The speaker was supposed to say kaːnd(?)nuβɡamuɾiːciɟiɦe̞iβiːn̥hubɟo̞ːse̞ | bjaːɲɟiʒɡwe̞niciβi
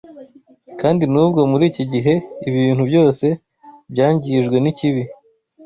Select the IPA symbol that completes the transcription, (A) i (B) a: A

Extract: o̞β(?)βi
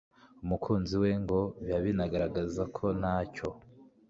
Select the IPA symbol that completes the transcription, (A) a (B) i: A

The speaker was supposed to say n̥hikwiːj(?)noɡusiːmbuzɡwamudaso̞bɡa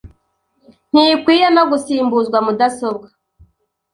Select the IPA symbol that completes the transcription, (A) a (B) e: B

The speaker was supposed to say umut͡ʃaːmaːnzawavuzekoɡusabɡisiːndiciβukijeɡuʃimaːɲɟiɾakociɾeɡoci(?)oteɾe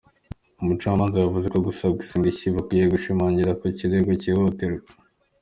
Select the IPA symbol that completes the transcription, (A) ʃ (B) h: B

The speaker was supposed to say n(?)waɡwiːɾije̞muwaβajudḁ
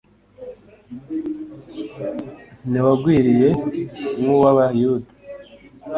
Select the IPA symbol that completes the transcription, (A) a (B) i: B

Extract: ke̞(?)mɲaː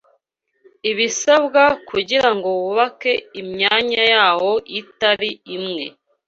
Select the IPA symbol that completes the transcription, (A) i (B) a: A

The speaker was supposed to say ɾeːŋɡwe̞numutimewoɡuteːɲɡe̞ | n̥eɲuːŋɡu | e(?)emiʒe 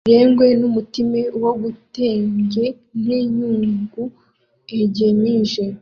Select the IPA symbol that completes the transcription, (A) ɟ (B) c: A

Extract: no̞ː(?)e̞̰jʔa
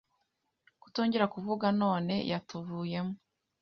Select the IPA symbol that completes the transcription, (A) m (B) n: B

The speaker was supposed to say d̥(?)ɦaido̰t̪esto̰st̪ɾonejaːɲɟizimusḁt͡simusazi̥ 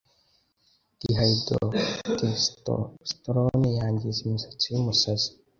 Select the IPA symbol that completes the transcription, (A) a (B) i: B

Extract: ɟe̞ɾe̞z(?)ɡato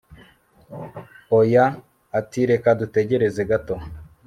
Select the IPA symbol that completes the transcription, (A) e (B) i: A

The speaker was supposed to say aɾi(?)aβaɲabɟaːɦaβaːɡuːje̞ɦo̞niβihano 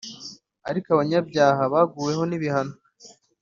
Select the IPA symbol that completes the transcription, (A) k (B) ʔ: A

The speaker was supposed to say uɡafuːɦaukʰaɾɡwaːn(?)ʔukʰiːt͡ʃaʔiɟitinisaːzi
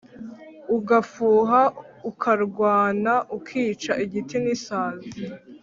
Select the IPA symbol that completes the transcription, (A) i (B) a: B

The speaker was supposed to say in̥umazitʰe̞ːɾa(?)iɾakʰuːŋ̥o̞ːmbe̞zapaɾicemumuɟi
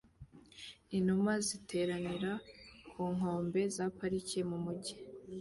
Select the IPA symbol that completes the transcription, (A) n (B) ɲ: A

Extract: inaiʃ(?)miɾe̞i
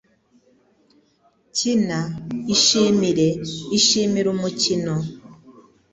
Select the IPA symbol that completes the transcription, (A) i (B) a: A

